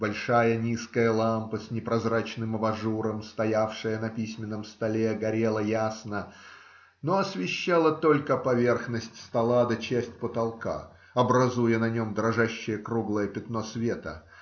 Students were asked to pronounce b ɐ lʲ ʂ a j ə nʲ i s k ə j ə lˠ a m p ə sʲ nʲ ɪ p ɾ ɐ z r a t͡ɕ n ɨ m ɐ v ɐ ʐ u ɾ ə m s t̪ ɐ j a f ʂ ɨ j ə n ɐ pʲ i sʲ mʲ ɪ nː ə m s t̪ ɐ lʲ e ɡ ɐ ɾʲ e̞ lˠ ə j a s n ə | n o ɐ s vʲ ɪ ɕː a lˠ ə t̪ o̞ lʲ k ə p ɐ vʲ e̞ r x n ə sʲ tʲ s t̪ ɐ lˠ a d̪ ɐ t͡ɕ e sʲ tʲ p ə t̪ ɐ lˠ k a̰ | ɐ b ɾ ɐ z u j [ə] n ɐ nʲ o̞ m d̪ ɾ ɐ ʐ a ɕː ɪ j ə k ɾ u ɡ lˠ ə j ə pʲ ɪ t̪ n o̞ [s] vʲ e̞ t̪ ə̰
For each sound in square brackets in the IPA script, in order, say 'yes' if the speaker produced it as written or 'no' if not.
yes, yes

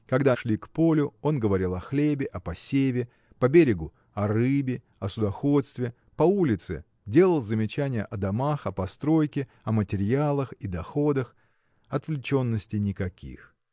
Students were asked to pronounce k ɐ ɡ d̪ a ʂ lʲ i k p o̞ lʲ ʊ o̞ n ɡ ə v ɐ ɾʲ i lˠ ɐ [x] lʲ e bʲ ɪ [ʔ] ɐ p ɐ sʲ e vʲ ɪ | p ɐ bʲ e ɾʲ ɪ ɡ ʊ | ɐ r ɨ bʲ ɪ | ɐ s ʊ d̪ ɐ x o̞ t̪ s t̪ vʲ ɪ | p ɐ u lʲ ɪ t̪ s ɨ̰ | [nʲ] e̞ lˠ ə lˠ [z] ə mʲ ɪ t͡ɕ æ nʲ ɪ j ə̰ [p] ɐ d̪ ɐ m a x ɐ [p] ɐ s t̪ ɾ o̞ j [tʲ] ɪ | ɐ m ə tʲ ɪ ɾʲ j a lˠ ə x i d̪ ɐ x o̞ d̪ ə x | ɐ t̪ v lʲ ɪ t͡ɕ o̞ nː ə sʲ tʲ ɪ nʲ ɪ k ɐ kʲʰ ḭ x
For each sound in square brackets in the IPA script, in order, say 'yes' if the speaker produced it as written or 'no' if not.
yes, yes, no, yes, no, yes, no

